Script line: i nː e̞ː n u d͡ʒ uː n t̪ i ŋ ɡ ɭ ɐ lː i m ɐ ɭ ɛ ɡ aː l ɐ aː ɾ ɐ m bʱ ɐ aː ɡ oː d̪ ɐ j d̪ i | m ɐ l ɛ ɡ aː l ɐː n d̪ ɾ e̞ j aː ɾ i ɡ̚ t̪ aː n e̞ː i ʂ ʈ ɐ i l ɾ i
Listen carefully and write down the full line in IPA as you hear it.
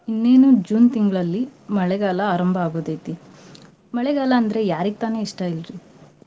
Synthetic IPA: i nː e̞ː n u d͡ʒ uː n t̪ i ŋ ɡ ɭ ɐ lː i m ɐ ɭ ɛ ɡ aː l ɐ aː ɾ ɐ m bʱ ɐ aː ɡ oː d̪ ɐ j t̪ i | m ɐ ɭ ɛ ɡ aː l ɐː n d̪ ɾ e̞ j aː ɾ i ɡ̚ t̪ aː n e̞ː i ʂ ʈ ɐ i l ɾ i